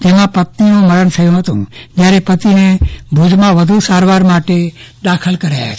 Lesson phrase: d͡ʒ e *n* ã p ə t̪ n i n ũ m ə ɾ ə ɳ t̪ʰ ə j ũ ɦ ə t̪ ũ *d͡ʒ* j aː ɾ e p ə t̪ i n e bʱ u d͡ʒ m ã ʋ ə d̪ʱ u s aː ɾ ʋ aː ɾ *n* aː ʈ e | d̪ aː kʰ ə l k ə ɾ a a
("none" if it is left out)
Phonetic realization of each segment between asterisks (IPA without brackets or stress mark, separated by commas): m, d͡ʒ, m